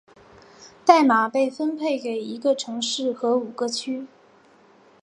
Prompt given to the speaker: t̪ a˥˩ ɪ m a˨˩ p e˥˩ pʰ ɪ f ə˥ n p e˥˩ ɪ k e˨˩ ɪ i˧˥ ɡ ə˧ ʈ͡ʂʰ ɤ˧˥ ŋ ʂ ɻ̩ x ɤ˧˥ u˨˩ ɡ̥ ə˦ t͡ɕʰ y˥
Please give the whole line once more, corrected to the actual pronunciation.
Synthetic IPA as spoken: t̪ a˥˩ ɪ m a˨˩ p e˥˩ ɪ f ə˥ n pʰ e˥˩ ɪ k e˨˩ ɪ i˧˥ ɡ ə˧ ʈ͡ʂʰ ɤ˧˥ ŋ ʂ ɻ̩ x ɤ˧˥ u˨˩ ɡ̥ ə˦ t͡ɕʰ y˥

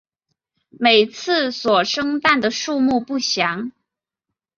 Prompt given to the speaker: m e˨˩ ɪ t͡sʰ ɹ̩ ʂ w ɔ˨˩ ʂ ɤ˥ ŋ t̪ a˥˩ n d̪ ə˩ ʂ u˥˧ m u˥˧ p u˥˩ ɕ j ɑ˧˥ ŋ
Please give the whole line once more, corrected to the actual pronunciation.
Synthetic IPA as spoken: m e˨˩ ɪ t͡sʰ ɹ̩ s w ɔ˨˩ ʂ ɤ˥ ŋ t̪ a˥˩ n d̪ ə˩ ʂ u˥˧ m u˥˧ p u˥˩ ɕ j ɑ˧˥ ŋ

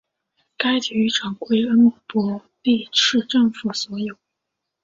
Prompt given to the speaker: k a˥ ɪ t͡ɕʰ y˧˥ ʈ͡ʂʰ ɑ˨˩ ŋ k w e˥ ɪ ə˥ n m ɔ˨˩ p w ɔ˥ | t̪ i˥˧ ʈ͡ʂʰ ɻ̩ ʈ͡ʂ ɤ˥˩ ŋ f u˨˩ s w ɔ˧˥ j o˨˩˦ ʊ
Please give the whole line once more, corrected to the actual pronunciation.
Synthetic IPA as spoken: k a˥ ɪ t͡ɕ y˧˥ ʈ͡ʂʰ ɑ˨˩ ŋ k w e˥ ɪ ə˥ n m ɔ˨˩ p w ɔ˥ | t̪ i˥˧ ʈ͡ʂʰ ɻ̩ ʈ͡ʂ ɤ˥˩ ŋ f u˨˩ s w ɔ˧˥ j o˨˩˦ ʊ

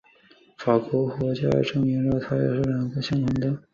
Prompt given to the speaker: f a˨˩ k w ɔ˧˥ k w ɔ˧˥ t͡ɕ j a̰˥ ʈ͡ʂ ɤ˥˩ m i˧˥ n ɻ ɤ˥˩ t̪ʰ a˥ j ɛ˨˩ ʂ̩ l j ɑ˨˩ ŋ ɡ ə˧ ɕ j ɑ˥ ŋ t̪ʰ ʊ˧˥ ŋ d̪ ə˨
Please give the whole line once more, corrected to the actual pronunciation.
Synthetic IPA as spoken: f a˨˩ k w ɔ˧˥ k w ɔ˧˥ t͡ɕ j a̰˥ ʈ͡ʂ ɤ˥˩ ŋ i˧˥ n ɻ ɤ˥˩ t̪ʰ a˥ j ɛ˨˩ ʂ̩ l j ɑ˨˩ ŋ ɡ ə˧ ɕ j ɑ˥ ŋ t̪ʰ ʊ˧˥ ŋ d̪ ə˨

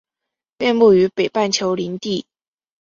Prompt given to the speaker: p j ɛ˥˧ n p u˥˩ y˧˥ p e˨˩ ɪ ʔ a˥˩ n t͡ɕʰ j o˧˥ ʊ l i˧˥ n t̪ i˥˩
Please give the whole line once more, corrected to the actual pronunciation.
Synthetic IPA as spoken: p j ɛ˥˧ n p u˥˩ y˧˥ p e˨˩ ɪ p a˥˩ n t͡ɕʰ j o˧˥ ʊ l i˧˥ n t̪ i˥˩

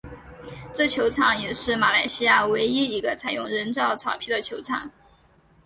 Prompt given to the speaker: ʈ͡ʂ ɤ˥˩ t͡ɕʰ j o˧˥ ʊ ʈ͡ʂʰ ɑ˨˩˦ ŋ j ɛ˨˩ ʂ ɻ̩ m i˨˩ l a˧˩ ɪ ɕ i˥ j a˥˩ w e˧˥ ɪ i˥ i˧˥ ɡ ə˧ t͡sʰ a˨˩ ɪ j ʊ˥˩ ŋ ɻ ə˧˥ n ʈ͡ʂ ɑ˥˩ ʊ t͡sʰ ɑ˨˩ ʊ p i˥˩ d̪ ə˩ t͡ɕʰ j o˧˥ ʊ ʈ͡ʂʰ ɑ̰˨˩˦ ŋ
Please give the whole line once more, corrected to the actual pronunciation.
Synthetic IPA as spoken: ʈ͡ʂ ɤ˥˩ t͡ɕʰ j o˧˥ ʊ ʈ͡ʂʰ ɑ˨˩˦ ŋ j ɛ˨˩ ʂ ɻ̩ m a˨˩ l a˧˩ ɪ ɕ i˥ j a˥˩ w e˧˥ ɪ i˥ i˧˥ ɡ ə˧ t͡sʰ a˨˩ ɪ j ʊ˥˩ ŋ ɻ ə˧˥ n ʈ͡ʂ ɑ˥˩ ʊ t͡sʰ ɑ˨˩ ʊ pʰ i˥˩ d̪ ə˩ t͡ɕʰ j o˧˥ ʊ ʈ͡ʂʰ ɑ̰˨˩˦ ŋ

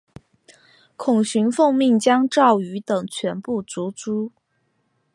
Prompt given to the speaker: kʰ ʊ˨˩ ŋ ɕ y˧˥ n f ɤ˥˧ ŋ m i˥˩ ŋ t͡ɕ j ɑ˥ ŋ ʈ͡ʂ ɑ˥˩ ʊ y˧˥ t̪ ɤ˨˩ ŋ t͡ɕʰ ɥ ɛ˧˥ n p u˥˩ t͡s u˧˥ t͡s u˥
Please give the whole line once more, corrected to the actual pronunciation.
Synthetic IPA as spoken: kʰ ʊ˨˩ ŋ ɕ y˧˥ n f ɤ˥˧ ŋ m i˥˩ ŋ t͡ɕ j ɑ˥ ŋ ʈ͡ʂ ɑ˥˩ ʊ y˧˥ t̪ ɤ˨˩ ŋ t͡ɕʰ ɥ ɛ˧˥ n p u˥˩ t͡s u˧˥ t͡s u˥

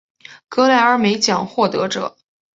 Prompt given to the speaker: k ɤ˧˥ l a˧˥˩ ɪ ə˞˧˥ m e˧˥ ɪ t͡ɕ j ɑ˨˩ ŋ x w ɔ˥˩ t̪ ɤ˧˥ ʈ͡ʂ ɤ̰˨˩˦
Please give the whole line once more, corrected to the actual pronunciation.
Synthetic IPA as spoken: k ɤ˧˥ l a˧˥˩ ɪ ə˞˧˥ m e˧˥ ɪ t͡ɕ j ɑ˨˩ ŋ x w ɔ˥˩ t̪ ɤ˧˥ ʈ͡ʂ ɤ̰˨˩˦

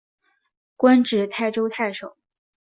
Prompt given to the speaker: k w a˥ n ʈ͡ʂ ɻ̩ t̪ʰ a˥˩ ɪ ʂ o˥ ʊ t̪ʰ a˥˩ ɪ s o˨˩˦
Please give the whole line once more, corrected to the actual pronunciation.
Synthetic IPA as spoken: k w a˥ n ʈ͡ʂ ɻ̩ t̪ʰ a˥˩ ɪ ʈ͡ʂ o˥ ʊ t̪ʰ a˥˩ ɪ ʂ o˨˩˦

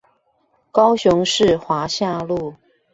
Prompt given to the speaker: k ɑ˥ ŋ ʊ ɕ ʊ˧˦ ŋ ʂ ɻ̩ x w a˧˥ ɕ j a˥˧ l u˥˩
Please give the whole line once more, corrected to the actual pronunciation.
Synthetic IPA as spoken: k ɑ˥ ʊ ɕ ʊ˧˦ ŋ ʂ ɻ̩ x w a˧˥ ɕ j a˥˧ l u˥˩

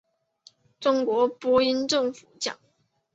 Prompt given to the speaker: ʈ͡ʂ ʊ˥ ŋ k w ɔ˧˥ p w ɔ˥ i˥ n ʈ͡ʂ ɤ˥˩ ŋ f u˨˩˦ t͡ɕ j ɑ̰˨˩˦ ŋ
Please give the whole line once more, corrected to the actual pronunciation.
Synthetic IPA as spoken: ʈ͡ʂ ʊ˥ ŋ k w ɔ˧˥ p w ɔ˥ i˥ n ʈ͡ʂ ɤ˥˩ ŋ f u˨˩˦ t͡ɕ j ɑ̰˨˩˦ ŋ

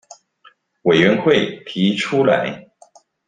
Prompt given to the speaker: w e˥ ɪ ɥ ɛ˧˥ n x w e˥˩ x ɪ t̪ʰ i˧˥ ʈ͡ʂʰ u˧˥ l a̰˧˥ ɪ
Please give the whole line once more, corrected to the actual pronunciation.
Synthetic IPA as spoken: w e˨˩ ɪ ɥ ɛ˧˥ n x w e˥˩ ɪ t̪ʰ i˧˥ ʈ͡ʂʰ u˥ l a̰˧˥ ɪ

